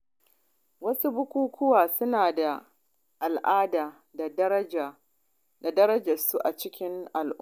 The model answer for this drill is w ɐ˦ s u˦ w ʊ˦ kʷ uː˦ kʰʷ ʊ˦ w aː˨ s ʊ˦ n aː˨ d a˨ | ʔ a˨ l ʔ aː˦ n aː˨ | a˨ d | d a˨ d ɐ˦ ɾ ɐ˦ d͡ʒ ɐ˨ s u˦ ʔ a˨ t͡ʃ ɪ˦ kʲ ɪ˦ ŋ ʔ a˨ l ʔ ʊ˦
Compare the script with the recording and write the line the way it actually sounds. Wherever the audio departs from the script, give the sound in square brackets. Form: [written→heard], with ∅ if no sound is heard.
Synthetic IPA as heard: w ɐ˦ s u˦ [w→b] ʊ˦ kʷ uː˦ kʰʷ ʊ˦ w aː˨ s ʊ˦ n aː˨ d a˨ | ʔ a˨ l ʔ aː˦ [n→d] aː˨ | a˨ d | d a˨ d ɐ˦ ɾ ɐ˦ d͡ʒ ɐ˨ s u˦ ʔ a˨ t͡ʃ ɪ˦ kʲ ɪ˦ ŋ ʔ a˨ l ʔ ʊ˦